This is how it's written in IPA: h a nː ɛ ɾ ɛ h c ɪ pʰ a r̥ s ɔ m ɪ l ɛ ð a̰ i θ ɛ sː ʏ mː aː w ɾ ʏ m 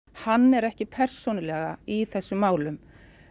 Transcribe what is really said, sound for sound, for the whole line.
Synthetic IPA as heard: h a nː ɛ ɾ ɛ h c ɪ pʰ ɛ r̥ s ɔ n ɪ l ɛ ɣ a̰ i θ ɛ sː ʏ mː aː w l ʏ m